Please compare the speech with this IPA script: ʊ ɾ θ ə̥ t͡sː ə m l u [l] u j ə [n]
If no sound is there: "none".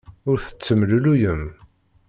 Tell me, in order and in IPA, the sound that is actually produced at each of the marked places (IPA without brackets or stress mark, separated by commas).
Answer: l, m